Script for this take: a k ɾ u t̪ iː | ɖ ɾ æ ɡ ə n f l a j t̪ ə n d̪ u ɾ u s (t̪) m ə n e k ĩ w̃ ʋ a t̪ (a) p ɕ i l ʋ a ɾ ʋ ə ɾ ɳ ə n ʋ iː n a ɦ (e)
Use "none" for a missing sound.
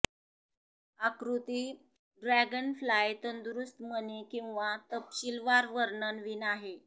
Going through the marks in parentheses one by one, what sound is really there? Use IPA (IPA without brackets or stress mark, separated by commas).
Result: t̪, ə, e